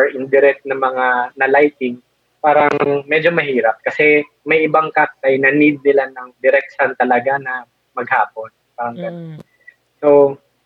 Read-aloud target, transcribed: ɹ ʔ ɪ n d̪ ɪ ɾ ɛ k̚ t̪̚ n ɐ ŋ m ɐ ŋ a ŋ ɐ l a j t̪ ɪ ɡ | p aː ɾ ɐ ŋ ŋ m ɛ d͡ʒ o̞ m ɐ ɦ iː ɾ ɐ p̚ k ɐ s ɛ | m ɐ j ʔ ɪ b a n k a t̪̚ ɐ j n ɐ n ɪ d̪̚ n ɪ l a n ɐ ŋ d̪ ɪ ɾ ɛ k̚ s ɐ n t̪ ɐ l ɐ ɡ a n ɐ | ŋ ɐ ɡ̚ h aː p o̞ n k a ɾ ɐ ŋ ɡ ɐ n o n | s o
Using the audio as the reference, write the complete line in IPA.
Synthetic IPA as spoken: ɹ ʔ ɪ n d̪ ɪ ɾ ɛ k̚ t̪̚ n ɐ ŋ m ɐ ŋ a n ɐ l a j t̪ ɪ ŋ | p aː ɾ ɐ ŋ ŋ m ɛ d͡ʒ o̞ m ɐ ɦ iː ɾ ɐ p̚ k ɐ s ɛ | m ɐ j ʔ ɪ b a ŋ k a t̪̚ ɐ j n ɐ n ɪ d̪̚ n ɪ l a n ɐ ŋ d̪ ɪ ɾ ɛ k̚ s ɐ n t̪ ɐ l ɐ ɡ a n ɐ | m ɐ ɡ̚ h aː p o̞ n p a ɾ ɐ ŋ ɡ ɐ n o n | s o